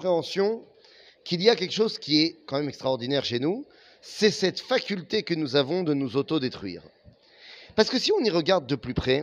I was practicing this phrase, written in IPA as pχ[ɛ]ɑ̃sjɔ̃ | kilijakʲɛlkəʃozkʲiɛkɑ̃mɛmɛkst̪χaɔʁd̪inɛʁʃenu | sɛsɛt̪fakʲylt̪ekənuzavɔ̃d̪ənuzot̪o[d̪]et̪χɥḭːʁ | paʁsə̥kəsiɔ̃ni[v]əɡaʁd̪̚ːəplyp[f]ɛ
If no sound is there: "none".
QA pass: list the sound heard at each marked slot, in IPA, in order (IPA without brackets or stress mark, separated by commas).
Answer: e, d̪, ʁ, χ